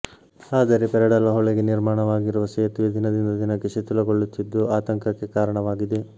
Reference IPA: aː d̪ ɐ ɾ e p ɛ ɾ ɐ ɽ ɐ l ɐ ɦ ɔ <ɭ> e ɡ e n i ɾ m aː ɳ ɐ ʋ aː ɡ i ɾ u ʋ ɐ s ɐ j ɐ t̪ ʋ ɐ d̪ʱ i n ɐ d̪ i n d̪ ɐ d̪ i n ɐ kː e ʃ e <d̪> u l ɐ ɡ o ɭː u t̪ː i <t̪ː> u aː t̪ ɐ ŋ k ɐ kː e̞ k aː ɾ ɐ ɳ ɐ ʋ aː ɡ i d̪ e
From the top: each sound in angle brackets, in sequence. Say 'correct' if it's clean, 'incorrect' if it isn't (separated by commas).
correct, incorrect, incorrect